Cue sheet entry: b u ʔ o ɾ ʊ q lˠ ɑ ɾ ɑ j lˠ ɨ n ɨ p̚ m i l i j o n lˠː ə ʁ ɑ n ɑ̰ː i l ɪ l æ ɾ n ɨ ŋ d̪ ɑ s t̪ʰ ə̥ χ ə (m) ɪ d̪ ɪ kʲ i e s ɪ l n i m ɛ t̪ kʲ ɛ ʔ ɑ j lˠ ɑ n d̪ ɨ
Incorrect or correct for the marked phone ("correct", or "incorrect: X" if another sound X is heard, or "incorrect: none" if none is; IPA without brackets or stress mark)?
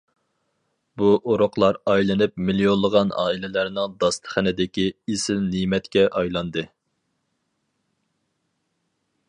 incorrect: n